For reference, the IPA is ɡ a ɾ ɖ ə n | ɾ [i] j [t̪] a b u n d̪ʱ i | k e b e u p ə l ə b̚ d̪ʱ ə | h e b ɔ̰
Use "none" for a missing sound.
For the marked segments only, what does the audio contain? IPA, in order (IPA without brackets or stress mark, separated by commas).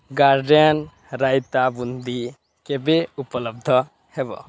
a, t̪